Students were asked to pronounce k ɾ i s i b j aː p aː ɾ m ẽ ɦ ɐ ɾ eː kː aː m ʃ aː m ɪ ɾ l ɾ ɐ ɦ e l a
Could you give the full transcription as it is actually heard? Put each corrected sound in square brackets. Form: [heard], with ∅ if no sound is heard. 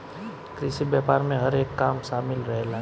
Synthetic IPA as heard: k ɾ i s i b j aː p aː ɾ m ẽ ɦ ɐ ɾ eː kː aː m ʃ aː m ɪ [∅] l ɾ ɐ ɦ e l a